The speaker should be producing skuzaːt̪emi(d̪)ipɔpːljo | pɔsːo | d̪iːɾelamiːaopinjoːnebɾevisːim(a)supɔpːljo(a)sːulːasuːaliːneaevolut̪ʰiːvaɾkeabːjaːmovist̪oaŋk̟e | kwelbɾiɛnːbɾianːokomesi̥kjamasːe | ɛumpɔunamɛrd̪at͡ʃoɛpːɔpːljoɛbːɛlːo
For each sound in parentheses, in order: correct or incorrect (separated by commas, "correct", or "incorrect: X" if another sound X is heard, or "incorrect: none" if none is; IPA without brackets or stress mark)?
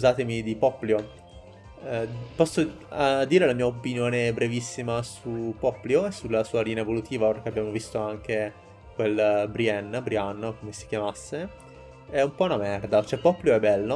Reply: correct, correct, incorrect: e